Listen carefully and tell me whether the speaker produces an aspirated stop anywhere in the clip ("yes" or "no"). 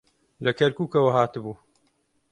no